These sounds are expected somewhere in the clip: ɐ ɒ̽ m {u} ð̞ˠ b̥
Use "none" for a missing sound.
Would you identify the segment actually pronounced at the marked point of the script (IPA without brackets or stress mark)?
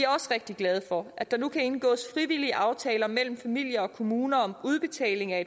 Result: u